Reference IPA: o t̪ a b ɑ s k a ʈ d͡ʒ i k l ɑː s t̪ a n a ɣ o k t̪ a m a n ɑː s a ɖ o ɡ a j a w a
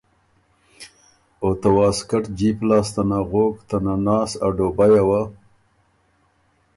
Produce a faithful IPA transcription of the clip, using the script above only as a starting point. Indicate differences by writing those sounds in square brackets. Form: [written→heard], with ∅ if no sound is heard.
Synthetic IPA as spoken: o t̪ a [b→w] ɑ s k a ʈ d͡ʒ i [k→p] l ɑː s t̪ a n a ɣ o k t̪ a [m→n] a n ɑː s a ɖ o [ɡ→b] a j a w a